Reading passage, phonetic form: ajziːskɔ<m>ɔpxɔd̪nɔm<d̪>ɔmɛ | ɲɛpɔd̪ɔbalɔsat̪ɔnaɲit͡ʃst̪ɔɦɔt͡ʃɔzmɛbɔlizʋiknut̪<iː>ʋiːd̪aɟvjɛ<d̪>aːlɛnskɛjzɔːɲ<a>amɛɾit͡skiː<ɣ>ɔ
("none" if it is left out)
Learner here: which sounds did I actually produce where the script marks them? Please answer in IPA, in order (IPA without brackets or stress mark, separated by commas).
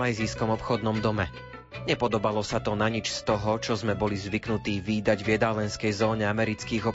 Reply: m, d̪, iː, d̪, ɛ, ɣ